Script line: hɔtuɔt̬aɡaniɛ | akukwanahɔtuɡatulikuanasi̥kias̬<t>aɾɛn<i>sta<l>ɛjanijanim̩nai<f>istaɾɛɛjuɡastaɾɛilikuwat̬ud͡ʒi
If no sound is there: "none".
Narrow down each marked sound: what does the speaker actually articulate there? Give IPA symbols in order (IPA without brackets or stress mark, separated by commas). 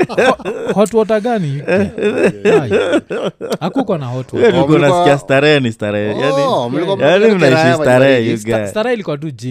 t, i, ɾ, ʃ